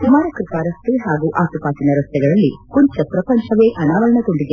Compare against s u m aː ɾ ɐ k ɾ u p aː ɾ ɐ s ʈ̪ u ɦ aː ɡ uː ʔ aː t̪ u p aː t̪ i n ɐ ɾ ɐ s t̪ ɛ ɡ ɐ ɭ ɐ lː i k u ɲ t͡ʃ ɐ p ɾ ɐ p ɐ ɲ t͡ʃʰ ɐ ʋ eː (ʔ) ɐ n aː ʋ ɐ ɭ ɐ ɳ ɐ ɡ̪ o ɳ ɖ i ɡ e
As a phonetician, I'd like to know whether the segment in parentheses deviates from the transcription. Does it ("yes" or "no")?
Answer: no